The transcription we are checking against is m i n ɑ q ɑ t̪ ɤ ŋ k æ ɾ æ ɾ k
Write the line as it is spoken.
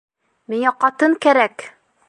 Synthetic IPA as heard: m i ŋ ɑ q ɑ t̪ ɤ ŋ k æ ɾ æ k